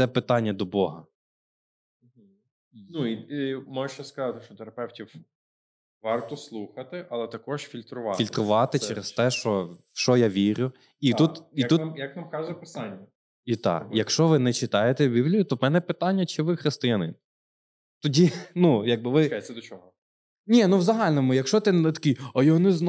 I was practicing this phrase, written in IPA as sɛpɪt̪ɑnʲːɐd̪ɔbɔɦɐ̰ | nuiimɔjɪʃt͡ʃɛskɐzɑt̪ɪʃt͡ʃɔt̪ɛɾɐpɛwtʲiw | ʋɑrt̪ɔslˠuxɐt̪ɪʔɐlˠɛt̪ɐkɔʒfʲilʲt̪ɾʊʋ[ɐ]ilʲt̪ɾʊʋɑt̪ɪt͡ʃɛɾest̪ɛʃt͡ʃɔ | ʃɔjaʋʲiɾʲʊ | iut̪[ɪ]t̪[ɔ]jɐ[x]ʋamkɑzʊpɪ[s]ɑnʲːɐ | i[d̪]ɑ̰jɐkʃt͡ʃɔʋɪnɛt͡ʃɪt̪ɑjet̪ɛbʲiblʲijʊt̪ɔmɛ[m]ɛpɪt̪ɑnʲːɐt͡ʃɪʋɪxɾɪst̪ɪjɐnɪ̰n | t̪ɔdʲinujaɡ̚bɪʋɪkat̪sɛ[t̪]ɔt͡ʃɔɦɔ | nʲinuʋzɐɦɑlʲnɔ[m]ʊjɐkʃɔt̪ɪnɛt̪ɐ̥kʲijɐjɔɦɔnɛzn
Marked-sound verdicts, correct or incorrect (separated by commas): incorrect, incorrect, incorrect, incorrect, correct, incorrect, incorrect, incorrect, correct